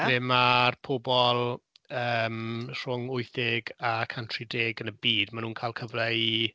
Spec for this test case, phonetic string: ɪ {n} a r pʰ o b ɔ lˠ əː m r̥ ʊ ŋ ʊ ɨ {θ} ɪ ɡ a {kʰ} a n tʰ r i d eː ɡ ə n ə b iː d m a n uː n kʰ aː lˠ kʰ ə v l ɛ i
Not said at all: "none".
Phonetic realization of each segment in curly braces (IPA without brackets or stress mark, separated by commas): m, θ, kʰ